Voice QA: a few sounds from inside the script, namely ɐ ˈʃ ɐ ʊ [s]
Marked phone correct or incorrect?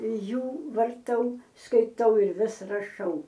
incorrect